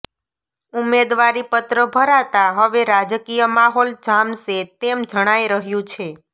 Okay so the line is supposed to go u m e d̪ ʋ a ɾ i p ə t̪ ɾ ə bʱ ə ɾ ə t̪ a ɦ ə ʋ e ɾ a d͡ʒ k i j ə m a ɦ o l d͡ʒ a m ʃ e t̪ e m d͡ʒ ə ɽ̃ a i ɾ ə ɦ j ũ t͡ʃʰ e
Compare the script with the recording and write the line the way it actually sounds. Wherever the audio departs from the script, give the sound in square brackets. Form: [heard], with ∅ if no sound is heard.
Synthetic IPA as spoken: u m e d̪ ʋ a ɾ i p ə t̪ ɾ ə bʱ ə ɾ [a] t̪ a ɦ ə ʋ e ɾ a d͡ʒ k i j ə m a ɦ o l d͡ʒ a m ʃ e t̪ e m d͡ʒ ə ɽ̃ a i ɾ ə ɦ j ũ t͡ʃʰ e